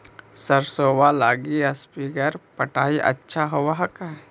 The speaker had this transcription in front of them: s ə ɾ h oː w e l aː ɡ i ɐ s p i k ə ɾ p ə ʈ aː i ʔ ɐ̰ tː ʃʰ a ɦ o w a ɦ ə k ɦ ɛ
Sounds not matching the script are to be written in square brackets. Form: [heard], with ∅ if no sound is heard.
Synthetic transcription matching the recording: s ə ɾ [s] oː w [a] l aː ɡ i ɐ s p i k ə ɾ p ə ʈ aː i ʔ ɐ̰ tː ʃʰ a ɦ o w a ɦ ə k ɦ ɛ